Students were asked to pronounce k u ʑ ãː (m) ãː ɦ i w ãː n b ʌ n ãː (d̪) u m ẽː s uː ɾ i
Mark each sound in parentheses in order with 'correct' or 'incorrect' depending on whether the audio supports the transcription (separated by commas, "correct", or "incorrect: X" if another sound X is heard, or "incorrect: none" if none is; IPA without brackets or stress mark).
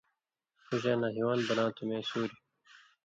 incorrect: n, incorrect: t̪